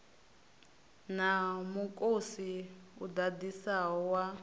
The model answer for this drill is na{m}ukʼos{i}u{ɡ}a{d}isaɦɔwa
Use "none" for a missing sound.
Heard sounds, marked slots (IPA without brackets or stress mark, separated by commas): m, i, d, d